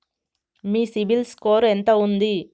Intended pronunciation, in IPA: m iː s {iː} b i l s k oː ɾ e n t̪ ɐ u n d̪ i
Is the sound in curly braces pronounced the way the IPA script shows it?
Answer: no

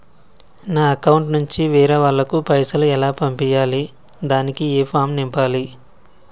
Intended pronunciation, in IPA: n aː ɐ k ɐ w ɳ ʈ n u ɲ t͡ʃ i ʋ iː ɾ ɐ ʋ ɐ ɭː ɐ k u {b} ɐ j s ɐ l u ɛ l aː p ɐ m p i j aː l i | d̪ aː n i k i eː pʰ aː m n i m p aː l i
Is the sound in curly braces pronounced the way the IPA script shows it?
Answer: no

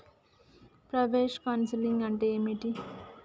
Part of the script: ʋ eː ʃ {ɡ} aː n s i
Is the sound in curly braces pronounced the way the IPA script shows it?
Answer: no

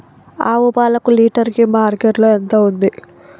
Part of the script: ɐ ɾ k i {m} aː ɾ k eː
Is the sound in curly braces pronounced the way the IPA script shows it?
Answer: yes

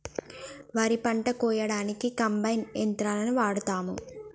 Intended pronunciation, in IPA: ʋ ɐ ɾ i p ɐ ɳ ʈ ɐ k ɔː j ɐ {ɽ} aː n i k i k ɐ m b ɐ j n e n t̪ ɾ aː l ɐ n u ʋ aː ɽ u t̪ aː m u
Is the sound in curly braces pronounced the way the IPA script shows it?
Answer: yes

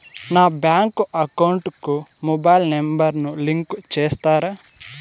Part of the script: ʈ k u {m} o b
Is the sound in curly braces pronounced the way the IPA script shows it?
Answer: yes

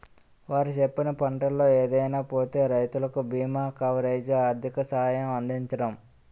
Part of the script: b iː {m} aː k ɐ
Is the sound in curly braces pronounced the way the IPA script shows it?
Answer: yes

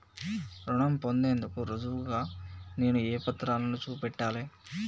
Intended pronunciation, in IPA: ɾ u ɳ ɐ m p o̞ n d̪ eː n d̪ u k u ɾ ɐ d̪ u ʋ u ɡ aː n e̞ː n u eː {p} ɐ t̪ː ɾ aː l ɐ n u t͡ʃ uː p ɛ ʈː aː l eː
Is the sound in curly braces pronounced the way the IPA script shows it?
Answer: yes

